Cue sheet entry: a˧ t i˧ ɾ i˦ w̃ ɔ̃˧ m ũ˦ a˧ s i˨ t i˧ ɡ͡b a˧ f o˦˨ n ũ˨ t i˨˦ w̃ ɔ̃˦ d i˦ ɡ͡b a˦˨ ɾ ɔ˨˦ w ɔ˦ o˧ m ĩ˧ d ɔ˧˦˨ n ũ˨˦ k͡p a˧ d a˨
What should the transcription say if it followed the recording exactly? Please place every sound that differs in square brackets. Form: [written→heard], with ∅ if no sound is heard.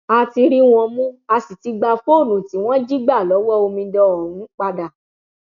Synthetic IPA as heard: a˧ t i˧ ɾ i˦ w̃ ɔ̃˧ m ũ˦ a˧ s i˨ t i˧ ɡ͡b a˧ f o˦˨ n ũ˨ t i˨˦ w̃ ɔ̃˦ [d→d͡ʒ] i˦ ɡ͡b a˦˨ [ɾ→l] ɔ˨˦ w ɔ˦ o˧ m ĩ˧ d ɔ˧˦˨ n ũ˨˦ k͡p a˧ d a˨